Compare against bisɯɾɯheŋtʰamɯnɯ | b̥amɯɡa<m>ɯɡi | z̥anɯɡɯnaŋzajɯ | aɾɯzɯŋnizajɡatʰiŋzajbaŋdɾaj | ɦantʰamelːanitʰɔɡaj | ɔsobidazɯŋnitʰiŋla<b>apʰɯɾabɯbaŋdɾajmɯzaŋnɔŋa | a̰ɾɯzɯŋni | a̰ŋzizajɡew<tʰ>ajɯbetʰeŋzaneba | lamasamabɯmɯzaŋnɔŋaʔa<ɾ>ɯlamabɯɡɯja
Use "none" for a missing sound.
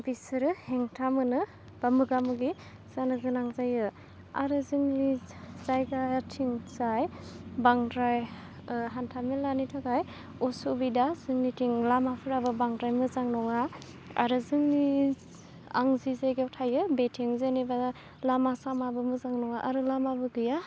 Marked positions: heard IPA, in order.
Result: m, m, tʰ, ɾ

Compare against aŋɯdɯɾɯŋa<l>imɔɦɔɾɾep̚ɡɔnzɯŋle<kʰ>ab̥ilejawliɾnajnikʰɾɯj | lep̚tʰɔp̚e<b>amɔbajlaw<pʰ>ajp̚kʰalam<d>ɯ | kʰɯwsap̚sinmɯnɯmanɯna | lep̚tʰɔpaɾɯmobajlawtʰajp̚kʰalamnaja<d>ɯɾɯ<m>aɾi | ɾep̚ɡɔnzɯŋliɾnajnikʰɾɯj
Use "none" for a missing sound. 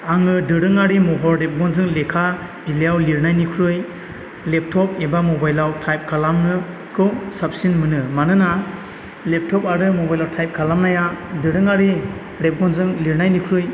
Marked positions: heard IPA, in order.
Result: ɾ, kʰ, b, tʰ, n, d, ŋ

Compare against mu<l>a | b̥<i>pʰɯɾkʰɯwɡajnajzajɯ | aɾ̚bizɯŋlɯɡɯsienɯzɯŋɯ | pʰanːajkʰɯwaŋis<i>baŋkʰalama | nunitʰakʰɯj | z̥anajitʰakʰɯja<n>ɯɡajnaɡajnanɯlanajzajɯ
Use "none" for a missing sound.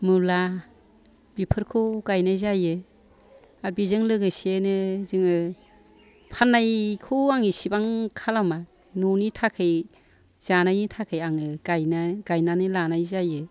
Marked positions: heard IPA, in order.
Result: l, i, i, ŋ

